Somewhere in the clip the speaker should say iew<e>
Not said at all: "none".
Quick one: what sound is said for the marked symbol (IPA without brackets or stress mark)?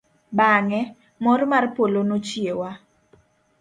a